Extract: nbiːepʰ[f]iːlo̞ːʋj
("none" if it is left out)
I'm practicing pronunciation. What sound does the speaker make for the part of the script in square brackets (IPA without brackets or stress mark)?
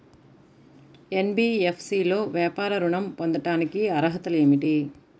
s